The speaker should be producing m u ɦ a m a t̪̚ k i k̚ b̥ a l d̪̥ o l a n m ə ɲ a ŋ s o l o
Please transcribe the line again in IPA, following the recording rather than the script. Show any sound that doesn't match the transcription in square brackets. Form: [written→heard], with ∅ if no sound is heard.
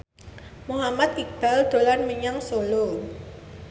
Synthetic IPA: m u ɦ a m a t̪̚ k i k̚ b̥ a l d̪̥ o l a n m ə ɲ a ŋ s o l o

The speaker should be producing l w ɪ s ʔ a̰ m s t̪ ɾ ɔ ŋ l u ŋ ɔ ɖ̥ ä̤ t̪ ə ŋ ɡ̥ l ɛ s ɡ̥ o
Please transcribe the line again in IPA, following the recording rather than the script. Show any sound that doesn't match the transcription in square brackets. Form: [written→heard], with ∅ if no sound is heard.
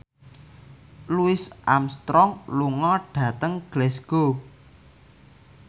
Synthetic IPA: l [w→u] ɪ s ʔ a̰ m s t̪ ɾ ɔ ŋ l u ŋ ɔ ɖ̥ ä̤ t̪ ə ŋ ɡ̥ l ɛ s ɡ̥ o

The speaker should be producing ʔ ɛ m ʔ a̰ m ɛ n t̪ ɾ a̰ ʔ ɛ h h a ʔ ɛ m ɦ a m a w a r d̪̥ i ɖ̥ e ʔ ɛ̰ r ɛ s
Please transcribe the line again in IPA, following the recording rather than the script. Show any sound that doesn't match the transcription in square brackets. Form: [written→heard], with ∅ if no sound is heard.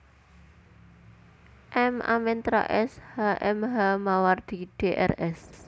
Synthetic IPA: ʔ ɛ m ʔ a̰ m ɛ n t̪ ɾ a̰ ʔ ɛ [h→s] h a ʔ ɛ m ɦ a m a w a r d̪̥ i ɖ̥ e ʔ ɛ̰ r ɛ s

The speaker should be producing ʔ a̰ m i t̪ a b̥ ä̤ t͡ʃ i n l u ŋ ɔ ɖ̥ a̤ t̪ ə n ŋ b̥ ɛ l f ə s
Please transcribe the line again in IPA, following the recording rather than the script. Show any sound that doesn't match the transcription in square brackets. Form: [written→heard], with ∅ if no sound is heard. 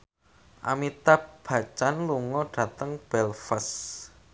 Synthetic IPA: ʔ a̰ m i t̪ a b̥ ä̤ t͡ʃ [i→a] n l u ŋ ɔ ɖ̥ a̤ t̪ ə [n→∅] ŋ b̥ ɛ l f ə s

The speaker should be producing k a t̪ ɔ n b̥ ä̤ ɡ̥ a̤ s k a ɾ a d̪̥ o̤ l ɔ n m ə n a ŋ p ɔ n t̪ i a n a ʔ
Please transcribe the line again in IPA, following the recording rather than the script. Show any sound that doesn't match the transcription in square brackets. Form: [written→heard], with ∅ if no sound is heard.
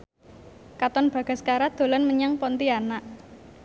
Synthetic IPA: k a t̪ ɔ n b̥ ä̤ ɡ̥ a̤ s k a ɾ a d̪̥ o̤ l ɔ n m ə [n→ɲ] a ŋ p ɔ n t̪ i a n a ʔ

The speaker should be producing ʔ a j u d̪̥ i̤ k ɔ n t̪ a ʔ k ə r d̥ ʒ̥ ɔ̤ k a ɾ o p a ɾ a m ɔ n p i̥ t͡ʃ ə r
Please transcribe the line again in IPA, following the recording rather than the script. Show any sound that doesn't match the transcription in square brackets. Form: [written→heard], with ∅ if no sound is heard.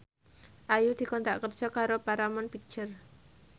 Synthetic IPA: ʔ a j u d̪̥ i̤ k ɔ n t̪ a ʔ k ə r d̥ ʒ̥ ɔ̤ k a ɾ o p a ɾ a m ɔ n p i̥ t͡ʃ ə r

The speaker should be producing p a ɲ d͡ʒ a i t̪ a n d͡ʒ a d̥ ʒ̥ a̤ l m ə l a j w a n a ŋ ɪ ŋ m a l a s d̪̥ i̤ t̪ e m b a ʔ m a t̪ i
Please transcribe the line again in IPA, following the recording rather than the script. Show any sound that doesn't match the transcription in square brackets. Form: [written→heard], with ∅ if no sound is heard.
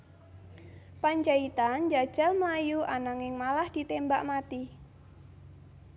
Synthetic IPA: p a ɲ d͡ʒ a i t̪ a n d͡ʒ a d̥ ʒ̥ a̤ l m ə l a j [w→u] a n a ŋ ɪ ŋ m a l a [s→h] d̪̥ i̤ t̪ e m b a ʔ m a t̪ i

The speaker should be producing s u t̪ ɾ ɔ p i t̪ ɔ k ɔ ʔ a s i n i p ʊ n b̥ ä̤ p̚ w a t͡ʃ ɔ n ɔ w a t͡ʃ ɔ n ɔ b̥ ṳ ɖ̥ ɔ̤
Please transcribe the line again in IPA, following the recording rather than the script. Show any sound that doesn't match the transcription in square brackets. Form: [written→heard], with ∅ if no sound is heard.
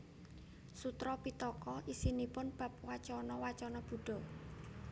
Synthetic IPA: s u t̪ ɾ ɔ p i t̪ ɔ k ɔ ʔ [a→i] s i n i p ʊ n b̥ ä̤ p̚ w a t͡ʃ ɔ n ɔ w a t͡ʃ ɔ n ɔ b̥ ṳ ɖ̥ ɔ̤

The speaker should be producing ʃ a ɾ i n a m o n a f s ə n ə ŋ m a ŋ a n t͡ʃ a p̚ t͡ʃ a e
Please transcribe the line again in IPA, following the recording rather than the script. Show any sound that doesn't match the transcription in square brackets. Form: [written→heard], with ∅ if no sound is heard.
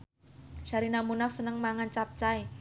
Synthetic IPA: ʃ a ɾ i n a m [o→u] n a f s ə n ə ŋ m a ŋ a n t͡ʃ a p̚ t͡ʃ a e

